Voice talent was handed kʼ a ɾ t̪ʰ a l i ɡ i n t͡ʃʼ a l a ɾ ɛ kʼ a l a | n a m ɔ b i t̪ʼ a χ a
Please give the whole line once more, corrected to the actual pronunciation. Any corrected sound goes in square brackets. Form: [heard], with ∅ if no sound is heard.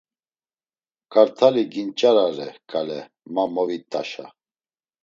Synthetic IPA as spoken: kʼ a ɾ t̪ʰ a l i ɡ i n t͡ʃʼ a [ɾ] a ɾ ɛ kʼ a l [ɛ] | [m] a m ɔ [v] i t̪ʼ a [ʃ] a